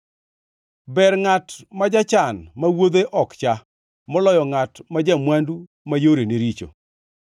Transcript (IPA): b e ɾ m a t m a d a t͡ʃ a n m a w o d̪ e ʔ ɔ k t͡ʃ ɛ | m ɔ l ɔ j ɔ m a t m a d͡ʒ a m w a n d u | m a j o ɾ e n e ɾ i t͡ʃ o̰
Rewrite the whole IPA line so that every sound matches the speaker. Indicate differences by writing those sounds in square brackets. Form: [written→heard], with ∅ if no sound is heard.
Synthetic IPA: b [e→ɛ] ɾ [m→ŋ] a t m a [d→d͡ʒ] a t͡ʃ a n m a w o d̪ e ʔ ɔ k t͡ʃ [ɛ→a] | m ɔ l ɔ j ɔ [m→ŋ] a t m a d͡ʒ a m w a n d u | m a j o ɾ e n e ɾ i t͡ʃ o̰